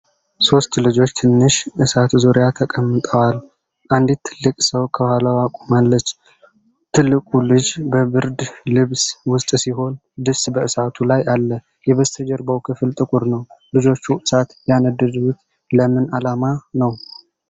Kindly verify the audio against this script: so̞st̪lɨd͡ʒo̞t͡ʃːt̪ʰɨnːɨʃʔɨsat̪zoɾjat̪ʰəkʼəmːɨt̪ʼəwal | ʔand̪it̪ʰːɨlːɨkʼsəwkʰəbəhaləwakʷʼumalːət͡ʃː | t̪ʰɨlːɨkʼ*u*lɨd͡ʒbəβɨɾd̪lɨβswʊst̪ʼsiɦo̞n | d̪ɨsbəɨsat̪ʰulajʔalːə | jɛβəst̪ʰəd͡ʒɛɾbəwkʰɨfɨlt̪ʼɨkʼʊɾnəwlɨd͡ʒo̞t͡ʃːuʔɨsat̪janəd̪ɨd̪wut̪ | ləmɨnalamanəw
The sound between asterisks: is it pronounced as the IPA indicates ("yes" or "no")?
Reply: yes